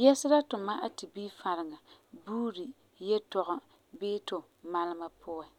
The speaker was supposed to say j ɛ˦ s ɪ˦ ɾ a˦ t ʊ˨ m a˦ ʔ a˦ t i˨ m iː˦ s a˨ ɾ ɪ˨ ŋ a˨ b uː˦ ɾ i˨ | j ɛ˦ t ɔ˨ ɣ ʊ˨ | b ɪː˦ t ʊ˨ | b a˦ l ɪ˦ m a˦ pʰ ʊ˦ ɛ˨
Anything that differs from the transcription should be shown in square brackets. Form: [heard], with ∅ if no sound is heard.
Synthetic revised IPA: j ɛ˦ s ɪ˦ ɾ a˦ t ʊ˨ m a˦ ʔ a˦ t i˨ [b] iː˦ [f] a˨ ɾ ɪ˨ ŋ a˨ b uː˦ ɾ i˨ | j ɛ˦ t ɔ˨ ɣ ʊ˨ | b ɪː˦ t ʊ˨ | [m] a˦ l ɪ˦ m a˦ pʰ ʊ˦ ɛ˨